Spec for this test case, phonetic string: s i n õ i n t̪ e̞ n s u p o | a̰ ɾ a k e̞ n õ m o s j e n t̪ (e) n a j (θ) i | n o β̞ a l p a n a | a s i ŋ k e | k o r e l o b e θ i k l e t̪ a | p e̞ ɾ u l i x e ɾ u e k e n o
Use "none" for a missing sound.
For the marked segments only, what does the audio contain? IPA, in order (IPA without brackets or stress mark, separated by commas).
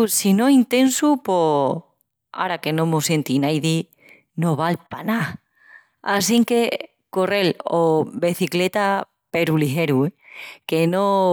i, ð